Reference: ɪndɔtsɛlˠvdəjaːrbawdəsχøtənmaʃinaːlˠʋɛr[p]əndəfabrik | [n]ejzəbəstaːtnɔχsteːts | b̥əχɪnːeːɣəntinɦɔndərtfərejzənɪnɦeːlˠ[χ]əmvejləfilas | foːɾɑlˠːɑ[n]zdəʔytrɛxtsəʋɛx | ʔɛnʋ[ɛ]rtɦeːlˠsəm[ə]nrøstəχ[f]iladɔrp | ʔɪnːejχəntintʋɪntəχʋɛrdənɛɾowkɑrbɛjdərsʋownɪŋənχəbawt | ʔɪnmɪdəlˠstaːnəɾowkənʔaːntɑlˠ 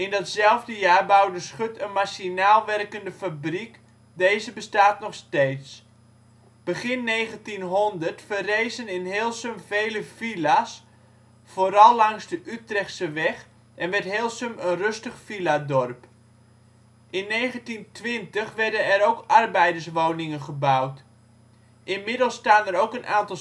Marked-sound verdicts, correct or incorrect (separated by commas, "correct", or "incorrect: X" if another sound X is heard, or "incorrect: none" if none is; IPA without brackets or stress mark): incorrect: k, incorrect: d, incorrect: s, incorrect: ŋ, correct, correct, correct